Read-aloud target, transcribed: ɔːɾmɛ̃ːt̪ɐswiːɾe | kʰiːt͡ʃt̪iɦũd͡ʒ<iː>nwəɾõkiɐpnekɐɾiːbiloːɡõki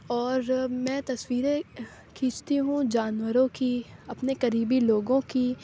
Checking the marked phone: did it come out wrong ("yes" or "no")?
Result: yes